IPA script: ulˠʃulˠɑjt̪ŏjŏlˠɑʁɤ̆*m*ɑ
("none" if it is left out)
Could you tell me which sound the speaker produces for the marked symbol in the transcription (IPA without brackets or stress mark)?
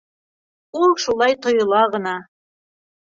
n